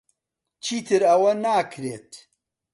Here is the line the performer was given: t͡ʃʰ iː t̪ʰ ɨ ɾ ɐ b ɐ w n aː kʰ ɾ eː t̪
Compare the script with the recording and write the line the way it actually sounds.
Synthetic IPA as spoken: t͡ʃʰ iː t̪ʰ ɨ ɾ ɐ w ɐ n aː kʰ ɾ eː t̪